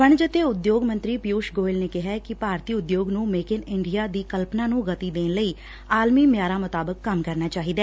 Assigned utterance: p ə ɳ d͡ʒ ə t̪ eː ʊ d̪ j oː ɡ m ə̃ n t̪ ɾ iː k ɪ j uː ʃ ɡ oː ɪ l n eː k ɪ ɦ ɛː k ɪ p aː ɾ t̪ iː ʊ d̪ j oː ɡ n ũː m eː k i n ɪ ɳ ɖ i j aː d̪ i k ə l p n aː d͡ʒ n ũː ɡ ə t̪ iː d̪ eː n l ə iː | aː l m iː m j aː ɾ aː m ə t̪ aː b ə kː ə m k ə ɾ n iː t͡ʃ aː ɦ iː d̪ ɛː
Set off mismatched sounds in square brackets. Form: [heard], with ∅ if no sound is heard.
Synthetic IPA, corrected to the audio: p ə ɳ d͡ʒ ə t̪ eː ʊ d̪ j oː ɡ m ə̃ n t̪ ɾ iː [p] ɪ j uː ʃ ɡ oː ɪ l n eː k ɪ ɦ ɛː k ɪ p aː ɾ t̪ iː ʊ d̪ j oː ɡ n ũː m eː k [ɪ] n ɪ ɳ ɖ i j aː d̪ [iː] k ə l p n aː [∅] n ũː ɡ ə t̪ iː d̪ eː n l ə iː | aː l m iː m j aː ɾ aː m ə t̪ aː b ə kː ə m k ə ɾ n [aː] t͡ʃ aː ɦ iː d̪ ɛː